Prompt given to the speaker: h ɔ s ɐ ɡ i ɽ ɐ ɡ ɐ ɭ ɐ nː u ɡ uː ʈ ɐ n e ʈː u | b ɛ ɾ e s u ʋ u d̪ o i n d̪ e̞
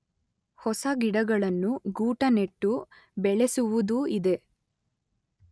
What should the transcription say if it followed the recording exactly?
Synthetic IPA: h ɔ s ɐ ɡ i ɽ ɐ ɡ ɐ ɭ ɐ nː u ɡ uː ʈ ɐ n e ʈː u | b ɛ ɭ e s u ʋ u d̪ u i d̪ e̞

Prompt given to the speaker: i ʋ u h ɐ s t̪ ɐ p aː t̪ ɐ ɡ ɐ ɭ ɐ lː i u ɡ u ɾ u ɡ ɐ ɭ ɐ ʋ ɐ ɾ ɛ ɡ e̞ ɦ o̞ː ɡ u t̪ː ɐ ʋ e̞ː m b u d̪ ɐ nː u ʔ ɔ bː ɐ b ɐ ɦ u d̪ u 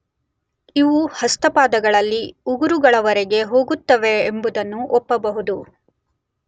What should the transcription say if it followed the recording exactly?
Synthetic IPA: i ʋ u h ɐ s t̪ ɐ p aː d̪ ɐ ɡ ɐ ɭ ɐ lː i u ɡ u ɾ u ɡ ɐ ɭ ɐ ʋ ɐ ɾ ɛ ɡ e̞ ɦ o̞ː ɡ u t̪ː ɐ ʋ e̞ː m b u d̪ ɐ nː u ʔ ɔ pː ɐ b ɐ ɦ u d̪ u

